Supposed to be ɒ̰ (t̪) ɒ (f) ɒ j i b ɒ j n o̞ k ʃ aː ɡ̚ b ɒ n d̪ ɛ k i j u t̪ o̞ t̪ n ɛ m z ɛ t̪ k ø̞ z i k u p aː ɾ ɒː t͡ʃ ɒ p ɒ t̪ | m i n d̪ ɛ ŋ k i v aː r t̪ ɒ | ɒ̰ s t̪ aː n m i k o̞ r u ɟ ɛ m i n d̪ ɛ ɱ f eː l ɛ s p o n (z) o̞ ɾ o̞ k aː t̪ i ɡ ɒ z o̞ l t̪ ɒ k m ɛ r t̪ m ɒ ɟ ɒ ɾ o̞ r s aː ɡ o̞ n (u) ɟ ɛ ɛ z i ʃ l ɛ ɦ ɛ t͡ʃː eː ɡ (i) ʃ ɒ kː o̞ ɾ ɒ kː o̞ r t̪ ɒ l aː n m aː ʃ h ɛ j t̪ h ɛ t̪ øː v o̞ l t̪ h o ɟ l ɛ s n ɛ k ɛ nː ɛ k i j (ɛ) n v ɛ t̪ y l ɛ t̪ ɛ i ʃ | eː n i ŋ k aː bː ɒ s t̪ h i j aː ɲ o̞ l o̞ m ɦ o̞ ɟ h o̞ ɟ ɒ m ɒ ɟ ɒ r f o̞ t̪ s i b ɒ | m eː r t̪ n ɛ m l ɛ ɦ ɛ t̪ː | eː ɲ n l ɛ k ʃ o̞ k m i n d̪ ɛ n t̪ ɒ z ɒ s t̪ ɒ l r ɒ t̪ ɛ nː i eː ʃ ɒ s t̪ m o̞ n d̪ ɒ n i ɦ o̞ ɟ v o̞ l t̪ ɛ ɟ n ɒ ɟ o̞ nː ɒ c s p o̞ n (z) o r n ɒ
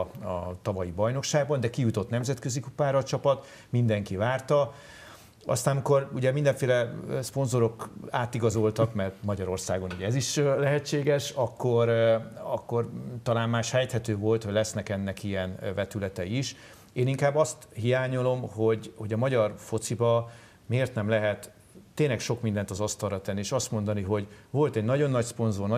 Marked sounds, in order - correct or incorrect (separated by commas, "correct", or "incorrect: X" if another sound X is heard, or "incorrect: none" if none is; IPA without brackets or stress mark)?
correct, incorrect: v, correct, correct, incorrect: ɛ, correct, correct